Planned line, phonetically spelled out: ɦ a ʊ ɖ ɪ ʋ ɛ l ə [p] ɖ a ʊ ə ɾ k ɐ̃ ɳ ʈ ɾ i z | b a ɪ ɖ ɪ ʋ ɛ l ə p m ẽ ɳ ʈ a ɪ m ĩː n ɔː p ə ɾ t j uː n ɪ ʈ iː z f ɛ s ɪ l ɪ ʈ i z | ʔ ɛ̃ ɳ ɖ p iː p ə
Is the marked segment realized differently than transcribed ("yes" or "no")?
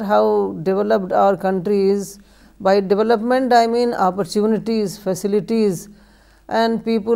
no